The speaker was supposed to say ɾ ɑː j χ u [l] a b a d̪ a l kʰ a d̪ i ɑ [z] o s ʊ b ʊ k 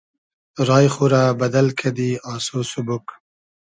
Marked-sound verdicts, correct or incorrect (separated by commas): incorrect, incorrect